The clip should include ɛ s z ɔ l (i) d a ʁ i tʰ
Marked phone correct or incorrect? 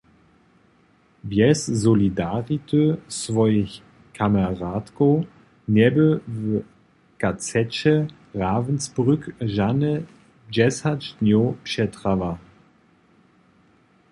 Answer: correct